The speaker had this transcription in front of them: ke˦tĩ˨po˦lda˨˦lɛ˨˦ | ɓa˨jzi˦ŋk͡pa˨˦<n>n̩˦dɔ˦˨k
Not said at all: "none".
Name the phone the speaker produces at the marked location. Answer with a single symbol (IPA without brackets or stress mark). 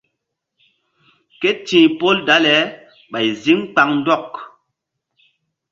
ŋ